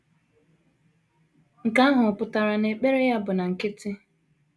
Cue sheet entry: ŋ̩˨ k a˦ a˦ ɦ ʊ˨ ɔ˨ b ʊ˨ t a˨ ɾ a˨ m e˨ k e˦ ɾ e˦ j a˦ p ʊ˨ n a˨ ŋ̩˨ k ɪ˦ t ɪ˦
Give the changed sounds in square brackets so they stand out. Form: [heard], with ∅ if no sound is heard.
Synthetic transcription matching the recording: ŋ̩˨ k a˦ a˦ ɦ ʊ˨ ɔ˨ [p] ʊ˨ t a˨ ɾ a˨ [n] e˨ [k͡p] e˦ ɾ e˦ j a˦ [b] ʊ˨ n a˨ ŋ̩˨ k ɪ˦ t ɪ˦